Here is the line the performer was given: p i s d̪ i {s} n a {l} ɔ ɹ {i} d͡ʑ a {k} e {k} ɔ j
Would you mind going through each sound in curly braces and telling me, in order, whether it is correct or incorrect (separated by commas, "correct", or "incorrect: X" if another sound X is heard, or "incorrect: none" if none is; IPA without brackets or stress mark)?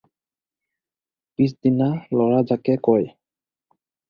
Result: incorrect: none, correct, incorrect: a, correct, correct